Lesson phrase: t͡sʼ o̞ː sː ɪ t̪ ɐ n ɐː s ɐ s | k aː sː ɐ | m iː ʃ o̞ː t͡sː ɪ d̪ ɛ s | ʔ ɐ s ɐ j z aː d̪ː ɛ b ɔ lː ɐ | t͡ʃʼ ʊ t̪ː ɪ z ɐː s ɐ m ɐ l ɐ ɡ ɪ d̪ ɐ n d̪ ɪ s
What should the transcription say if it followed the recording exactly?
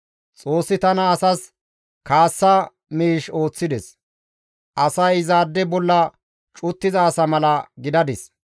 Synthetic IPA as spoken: t͡sʼ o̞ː sː ɪ t̪ ɐ n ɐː s ɐ s | k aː sː ɐ | m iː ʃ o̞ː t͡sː ɪ d̪ ɛ s | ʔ ɐ s ɐ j z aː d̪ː ɛ b ɔ lː ɐ | t͡ʃʼ ʊ t̪ː ɪ z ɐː s ɐ m ɐ l ɐ ɡ ɪ d̪ ɐ d̪ ɪ s